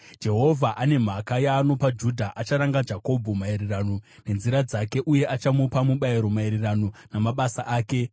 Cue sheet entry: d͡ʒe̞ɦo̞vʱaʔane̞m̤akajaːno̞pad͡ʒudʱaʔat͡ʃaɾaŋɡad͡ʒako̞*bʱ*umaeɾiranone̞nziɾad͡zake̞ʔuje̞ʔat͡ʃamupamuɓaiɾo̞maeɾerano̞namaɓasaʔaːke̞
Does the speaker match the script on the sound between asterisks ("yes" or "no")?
yes